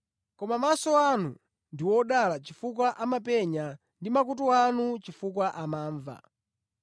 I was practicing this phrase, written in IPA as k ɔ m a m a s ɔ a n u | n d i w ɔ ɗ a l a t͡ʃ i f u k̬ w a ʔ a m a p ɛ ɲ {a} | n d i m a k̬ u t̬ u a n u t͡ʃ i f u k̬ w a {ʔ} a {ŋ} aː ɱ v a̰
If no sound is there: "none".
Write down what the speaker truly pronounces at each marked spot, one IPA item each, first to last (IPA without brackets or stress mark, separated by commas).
a, ʔ, m